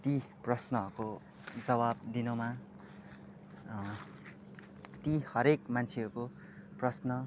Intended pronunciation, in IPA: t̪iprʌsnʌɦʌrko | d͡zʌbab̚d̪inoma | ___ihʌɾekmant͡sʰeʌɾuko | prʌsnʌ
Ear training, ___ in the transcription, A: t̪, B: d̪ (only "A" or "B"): A